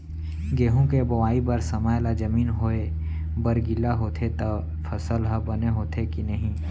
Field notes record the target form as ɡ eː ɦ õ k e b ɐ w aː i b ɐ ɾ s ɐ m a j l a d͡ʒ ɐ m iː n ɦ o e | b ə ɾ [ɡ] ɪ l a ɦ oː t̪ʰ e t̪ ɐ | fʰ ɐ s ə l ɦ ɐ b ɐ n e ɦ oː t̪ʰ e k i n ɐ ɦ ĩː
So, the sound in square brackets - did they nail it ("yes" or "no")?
yes